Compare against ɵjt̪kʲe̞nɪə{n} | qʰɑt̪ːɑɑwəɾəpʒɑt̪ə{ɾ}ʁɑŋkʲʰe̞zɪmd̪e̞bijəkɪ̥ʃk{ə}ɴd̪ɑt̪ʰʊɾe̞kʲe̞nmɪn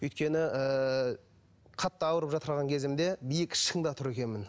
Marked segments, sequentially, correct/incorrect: incorrect: none, correct, correct

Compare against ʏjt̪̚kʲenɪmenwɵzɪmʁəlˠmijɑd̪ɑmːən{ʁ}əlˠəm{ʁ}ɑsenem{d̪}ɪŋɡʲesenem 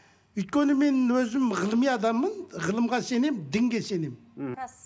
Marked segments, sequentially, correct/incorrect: correct, correct, correct

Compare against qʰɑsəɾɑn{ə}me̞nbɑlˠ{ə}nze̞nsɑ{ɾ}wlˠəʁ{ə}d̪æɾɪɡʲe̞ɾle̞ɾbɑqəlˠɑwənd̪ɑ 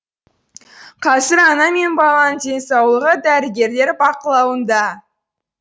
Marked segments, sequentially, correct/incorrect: incorrect: ɑ, incorrect: ɑ, incorrect: none, correct

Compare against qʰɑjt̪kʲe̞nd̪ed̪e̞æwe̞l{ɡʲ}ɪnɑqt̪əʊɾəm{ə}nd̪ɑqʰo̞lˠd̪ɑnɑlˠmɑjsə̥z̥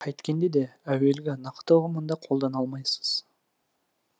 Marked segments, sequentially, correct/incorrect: correct, correct

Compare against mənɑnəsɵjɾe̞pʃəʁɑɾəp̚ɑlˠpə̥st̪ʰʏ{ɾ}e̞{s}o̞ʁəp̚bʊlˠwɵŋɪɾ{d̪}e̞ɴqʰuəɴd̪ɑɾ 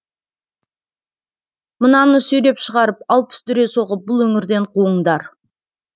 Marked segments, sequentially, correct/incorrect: correct, correct, correct

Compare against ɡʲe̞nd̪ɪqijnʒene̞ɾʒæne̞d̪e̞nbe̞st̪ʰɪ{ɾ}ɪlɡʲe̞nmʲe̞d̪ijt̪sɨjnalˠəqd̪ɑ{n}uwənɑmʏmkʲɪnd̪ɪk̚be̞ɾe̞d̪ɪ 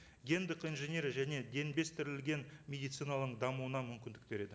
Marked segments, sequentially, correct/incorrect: correct, incorrect: m

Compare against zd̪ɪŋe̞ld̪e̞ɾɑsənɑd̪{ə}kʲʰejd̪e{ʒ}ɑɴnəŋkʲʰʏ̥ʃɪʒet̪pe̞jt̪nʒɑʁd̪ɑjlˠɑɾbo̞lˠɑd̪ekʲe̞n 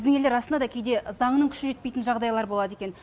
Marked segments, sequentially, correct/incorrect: incorrect: ɑ, incorrect: z

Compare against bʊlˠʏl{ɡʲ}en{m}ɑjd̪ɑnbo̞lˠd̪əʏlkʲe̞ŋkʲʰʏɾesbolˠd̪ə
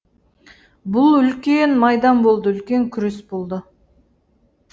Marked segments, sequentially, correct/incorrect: incorrect: kʲ, correct

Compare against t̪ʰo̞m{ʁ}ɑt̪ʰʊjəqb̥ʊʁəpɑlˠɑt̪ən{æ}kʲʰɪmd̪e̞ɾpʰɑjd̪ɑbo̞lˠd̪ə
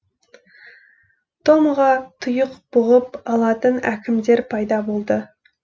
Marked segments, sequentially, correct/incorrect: correct, correct

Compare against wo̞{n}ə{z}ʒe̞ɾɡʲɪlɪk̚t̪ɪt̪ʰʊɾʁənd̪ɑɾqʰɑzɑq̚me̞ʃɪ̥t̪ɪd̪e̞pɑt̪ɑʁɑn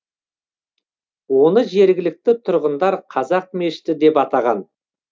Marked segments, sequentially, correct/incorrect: correct, incorrect: none

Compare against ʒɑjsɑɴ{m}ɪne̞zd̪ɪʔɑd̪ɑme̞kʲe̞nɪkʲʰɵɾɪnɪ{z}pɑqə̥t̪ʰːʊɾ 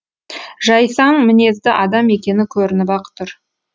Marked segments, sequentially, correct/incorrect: correct, incorrect: none

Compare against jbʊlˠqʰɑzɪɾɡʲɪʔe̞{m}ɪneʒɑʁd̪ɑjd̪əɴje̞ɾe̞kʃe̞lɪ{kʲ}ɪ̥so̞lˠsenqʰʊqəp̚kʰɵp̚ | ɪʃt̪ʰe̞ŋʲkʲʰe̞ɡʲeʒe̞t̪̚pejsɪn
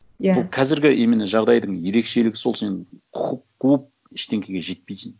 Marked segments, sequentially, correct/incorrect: correct, incorrect: ɡʲ

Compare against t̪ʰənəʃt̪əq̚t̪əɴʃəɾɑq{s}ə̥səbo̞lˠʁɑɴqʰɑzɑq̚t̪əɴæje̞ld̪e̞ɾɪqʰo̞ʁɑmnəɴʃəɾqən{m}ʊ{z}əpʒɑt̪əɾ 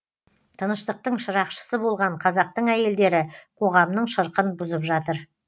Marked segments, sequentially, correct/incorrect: incorrect: ʃ, incorrect: b, correct

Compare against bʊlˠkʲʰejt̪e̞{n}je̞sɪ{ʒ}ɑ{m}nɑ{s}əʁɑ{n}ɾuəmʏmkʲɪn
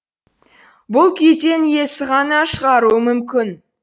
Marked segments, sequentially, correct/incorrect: correct, incorrect: ʁ, incorrect: none, incorrect: ʃ, incorrect: none

